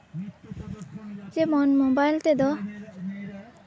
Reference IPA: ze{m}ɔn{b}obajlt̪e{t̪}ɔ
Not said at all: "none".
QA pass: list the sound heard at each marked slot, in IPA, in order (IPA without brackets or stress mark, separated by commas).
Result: m, m, d̪